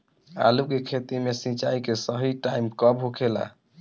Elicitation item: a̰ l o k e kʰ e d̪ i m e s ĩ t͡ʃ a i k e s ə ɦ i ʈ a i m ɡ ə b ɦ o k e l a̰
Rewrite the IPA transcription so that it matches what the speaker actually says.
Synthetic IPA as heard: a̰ l u k e kʰ e t̪ i m e s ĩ t͡ʃ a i k e s ə ɦ i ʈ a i m k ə b ɦ o kʰ e l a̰